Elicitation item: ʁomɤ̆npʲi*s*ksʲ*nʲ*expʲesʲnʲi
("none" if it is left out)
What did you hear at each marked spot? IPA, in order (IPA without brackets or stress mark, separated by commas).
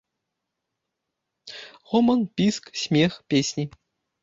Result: s, mʲ